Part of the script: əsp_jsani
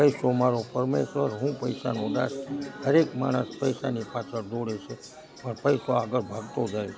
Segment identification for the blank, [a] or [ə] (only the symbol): ə